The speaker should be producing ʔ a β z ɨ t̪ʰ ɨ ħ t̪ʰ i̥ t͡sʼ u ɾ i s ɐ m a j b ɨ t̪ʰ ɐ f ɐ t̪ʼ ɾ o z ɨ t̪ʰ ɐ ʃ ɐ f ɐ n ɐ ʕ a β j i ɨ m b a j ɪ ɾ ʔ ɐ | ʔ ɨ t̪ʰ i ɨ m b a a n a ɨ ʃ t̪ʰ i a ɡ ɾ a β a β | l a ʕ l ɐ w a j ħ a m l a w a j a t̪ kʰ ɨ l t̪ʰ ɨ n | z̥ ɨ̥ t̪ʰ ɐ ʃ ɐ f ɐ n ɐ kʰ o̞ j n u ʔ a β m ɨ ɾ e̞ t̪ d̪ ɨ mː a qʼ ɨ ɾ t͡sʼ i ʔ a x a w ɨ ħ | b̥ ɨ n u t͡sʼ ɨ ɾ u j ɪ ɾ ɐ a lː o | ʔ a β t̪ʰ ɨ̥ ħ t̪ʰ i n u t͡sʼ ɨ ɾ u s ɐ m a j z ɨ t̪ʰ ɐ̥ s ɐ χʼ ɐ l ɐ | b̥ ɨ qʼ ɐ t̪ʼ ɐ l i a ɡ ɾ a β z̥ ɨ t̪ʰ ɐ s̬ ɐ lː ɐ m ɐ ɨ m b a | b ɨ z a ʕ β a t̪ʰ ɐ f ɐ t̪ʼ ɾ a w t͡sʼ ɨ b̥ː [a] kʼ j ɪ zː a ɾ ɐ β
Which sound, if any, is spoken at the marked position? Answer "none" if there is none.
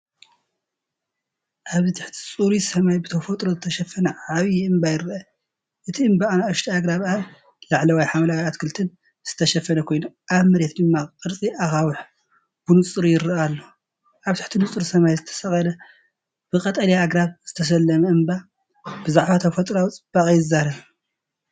a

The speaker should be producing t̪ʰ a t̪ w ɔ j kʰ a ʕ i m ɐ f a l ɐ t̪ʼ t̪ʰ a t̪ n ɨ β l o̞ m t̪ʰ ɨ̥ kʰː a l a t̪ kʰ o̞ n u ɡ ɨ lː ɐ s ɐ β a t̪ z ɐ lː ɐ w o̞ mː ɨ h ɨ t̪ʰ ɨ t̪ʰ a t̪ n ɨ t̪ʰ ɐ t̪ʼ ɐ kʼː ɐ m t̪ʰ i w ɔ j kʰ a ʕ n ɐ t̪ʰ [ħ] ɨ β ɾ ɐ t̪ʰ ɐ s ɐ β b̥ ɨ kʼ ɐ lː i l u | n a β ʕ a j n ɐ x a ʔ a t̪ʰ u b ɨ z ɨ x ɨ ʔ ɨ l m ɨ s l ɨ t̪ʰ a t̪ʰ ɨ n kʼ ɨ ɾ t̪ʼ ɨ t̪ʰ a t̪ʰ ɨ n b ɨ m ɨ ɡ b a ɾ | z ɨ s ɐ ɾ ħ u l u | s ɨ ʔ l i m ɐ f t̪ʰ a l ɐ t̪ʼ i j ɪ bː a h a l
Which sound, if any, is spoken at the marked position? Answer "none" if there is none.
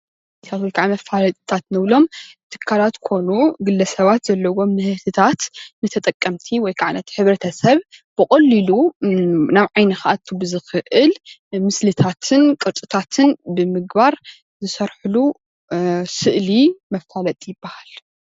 ħ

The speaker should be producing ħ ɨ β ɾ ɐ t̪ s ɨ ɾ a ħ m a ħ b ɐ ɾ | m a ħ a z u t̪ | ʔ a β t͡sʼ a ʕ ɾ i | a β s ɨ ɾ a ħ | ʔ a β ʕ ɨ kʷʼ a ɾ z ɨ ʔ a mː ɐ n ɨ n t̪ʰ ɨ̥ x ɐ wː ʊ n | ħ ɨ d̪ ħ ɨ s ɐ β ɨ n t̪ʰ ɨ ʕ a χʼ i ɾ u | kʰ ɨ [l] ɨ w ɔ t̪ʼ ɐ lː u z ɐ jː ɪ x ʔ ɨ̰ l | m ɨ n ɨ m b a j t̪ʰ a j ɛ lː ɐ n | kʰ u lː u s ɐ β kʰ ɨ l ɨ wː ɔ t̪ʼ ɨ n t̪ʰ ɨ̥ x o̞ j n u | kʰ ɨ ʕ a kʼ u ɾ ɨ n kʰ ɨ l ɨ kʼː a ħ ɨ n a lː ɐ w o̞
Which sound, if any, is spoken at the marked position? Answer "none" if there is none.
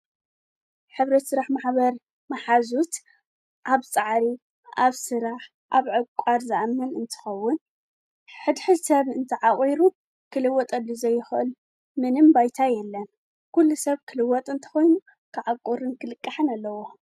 l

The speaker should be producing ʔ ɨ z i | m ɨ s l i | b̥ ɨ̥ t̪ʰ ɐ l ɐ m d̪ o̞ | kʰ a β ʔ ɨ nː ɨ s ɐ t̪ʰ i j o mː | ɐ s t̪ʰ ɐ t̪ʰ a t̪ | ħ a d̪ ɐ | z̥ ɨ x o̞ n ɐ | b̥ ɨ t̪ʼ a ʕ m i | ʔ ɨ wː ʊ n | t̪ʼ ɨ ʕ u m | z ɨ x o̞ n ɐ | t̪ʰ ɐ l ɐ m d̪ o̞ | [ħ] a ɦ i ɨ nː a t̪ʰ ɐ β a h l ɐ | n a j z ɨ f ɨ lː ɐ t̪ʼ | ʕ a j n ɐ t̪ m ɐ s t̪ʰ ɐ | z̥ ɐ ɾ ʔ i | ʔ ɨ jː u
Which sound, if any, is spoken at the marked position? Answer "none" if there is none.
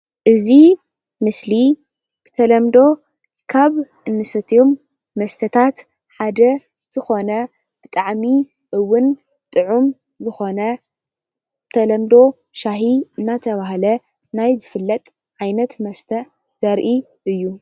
ʃ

